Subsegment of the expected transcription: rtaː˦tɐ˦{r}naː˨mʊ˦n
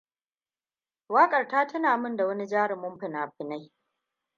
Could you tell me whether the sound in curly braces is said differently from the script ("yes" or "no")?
yes